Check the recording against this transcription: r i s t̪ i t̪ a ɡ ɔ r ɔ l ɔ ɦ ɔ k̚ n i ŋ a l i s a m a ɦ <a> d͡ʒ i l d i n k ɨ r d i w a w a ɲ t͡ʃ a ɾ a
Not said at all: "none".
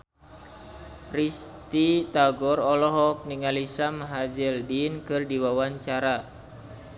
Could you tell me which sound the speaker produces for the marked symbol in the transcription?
a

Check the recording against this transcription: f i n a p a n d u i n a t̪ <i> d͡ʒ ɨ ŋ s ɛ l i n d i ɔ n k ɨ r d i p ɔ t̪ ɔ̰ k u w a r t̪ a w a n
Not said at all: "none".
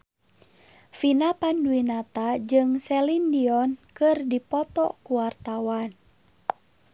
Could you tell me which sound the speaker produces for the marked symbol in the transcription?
a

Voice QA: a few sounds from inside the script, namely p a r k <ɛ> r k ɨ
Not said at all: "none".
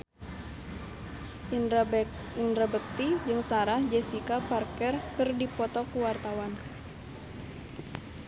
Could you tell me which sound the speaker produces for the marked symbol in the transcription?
ɛ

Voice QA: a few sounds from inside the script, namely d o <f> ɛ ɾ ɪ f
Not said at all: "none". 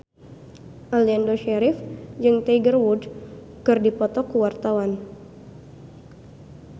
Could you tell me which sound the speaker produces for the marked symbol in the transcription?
ʃ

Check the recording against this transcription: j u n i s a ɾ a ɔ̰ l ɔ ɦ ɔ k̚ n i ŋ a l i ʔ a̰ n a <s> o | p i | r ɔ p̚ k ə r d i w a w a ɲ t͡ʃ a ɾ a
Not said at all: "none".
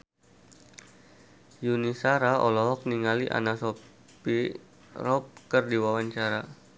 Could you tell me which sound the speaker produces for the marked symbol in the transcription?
s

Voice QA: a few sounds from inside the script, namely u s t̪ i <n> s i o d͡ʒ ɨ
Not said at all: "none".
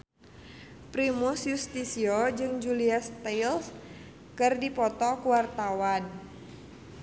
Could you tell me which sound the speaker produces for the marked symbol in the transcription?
none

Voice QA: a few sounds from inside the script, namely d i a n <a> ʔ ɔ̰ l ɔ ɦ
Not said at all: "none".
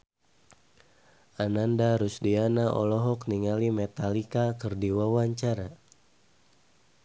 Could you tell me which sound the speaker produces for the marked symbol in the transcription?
a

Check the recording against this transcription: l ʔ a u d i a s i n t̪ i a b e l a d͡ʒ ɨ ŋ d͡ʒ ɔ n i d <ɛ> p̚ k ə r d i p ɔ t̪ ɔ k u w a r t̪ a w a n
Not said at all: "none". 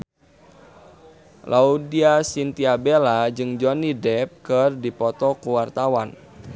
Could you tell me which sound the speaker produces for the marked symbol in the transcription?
ɛ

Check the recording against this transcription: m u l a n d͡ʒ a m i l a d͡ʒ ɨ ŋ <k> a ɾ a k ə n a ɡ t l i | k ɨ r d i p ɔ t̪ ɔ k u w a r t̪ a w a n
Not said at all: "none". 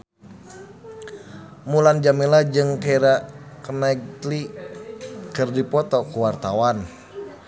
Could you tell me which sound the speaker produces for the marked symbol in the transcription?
k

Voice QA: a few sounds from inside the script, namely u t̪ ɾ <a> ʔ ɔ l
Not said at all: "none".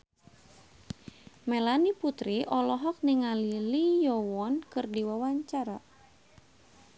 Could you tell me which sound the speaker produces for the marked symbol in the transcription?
i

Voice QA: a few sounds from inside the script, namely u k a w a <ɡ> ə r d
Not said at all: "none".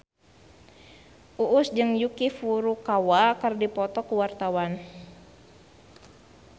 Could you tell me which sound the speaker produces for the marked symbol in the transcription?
k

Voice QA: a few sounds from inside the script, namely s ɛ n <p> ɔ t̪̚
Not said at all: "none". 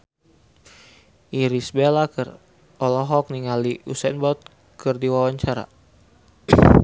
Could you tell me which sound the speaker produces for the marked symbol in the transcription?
b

